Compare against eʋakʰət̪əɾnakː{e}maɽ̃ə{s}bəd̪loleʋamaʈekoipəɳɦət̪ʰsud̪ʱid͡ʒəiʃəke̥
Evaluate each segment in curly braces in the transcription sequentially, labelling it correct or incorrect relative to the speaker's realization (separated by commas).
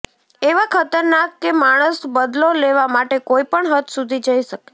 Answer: correct, correct